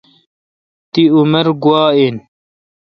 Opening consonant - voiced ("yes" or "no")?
no